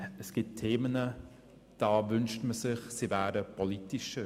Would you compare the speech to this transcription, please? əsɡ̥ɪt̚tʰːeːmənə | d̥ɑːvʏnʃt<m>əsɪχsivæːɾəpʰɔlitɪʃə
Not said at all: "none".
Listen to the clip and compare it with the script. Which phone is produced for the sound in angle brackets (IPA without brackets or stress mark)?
m